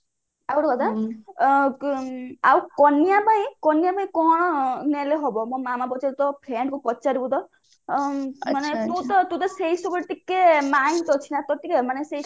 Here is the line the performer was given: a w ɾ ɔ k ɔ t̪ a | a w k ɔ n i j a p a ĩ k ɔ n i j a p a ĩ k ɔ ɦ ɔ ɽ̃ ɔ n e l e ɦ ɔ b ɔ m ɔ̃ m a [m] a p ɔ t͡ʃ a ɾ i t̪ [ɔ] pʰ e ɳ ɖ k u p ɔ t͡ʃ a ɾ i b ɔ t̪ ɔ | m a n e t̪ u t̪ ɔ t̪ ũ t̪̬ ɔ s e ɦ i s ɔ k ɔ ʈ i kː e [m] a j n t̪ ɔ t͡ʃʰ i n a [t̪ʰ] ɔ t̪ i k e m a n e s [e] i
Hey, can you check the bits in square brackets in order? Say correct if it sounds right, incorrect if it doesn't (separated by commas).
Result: correct, correct, correct, incorrect, correct